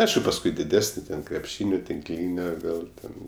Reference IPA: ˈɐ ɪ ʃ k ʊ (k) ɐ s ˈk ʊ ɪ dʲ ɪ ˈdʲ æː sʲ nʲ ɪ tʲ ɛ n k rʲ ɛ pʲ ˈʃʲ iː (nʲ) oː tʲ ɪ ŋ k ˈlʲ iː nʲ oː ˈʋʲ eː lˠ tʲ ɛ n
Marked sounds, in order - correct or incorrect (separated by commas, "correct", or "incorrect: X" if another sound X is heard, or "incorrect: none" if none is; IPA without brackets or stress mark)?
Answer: incorrect: p, correct